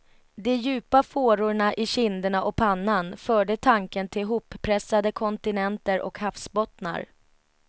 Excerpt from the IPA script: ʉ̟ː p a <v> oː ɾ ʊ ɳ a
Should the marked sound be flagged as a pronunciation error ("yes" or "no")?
yes